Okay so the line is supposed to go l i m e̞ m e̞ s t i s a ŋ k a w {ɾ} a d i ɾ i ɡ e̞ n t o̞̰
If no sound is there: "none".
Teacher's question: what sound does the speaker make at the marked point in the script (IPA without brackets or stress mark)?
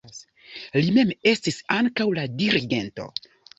l